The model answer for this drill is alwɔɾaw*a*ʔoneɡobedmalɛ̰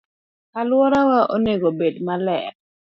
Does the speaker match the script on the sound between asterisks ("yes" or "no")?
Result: yes